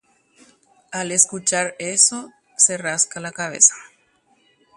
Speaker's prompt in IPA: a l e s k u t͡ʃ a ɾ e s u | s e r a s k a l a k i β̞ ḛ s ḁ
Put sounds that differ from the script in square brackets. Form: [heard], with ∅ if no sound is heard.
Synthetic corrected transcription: a l e s k u t͡ʃ a ɾ e s [o] | s e r a s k a l a k [a] β̞ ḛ s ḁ